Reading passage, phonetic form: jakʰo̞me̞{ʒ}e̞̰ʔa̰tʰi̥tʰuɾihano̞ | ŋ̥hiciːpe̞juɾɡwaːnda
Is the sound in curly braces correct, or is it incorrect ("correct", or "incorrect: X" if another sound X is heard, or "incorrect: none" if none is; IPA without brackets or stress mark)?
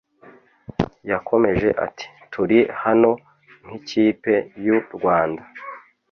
correct